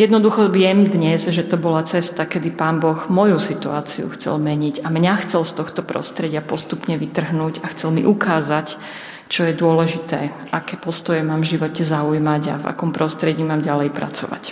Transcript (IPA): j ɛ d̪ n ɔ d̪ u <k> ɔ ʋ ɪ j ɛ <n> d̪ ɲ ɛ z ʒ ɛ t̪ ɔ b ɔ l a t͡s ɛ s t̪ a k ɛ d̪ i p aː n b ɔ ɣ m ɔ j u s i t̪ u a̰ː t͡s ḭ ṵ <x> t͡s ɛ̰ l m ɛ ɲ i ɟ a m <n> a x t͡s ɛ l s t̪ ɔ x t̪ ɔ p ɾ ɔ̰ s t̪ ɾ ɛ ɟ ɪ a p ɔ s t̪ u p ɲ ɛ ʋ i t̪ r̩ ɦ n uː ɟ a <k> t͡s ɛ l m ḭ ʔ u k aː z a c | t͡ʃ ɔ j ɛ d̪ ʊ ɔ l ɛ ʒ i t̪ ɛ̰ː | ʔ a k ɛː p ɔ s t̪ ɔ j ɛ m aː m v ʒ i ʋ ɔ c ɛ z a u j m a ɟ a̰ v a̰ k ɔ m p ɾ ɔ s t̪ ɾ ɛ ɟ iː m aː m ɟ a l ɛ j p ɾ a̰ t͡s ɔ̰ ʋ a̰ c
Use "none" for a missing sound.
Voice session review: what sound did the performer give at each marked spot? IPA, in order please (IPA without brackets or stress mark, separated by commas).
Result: x, m, x, ɲ, x